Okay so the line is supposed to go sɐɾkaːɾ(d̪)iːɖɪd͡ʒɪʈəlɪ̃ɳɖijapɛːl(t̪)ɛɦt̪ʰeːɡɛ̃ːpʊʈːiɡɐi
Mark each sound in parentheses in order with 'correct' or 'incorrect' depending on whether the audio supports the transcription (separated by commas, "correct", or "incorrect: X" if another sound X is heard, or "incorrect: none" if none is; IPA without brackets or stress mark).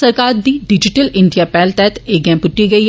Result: correct, correct